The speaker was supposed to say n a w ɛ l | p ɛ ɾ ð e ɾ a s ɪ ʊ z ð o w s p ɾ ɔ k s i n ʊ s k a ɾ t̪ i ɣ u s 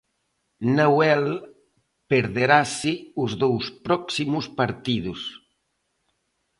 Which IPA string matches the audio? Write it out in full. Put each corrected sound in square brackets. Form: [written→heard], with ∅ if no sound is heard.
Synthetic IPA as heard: n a w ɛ l | p [ɛ→e] ɾ ð e ɾ a s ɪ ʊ z ð o w s p ɾ ɔ k s i [n→m] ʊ s [k→p] a ɾ t̪ i [ɣ→ð] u s